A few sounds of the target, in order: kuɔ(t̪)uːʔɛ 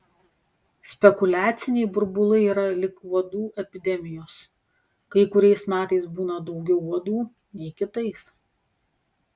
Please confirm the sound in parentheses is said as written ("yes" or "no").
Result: no